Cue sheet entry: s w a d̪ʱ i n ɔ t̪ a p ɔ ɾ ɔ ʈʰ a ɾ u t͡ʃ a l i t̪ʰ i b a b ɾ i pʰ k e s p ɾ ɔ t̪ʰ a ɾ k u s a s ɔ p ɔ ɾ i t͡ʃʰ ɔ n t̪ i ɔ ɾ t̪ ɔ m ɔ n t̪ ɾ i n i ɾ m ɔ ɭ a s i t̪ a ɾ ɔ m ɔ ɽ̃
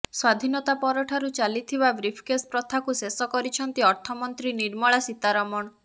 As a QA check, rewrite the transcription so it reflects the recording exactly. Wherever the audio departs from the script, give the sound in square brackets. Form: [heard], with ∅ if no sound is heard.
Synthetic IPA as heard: s w a d̪ʱ i n ɔ t̪ a p ɔ ɾ ɔ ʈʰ a ɾ u t͡ʃ a l i t̪ʰ i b a b ɾ i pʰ k e s p ɾ ɔ t̪ʰ a [∅] k u s [e] s ɔ [k] ɔ ɾ i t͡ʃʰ ɔ n t̪ i ɔ ɾ [t̪ʰ] ɔ m ɔ n t̪ ɾ i n i ɾ m ɔ ɭ a s i t̪ a ɾ ɔ m ɔ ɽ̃